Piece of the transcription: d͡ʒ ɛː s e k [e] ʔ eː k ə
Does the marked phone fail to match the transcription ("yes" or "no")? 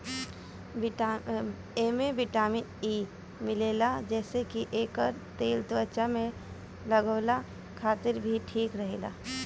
yes